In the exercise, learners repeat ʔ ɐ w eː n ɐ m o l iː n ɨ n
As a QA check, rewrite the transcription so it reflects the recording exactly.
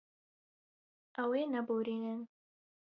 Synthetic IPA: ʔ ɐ w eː n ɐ b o ɾ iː n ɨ n